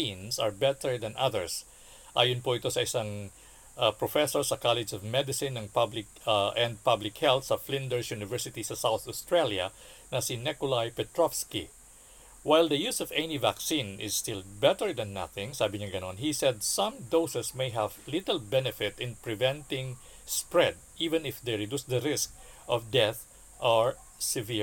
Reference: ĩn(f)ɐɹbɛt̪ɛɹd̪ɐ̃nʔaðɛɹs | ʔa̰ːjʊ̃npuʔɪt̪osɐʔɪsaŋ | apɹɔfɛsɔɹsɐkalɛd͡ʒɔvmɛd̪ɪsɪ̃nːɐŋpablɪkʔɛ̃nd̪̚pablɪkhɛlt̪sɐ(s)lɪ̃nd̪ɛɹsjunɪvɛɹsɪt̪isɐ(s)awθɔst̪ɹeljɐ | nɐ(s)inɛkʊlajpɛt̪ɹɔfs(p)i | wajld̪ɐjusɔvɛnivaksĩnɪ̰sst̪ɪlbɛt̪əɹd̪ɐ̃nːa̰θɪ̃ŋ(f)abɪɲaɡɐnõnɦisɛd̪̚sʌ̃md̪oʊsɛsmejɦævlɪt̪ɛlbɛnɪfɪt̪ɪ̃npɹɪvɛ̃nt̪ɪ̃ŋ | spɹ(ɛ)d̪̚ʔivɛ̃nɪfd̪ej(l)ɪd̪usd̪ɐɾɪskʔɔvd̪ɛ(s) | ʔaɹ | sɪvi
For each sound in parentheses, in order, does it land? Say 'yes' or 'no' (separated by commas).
no, no, yes, yes, no, no, yes, no, no